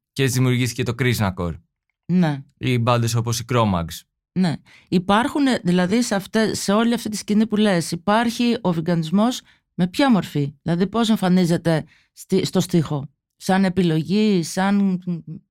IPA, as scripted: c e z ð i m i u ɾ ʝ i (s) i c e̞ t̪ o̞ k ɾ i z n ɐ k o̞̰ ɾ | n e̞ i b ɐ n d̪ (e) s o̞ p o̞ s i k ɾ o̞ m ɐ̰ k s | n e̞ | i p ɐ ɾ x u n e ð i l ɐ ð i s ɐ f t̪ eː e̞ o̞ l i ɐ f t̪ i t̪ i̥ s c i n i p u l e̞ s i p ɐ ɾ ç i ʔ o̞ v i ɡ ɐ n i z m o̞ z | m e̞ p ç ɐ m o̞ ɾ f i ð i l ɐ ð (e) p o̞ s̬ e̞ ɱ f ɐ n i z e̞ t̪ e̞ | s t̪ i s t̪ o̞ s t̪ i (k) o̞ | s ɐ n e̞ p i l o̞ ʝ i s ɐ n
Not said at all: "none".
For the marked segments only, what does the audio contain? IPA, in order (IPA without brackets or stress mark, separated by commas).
θ, e, i, x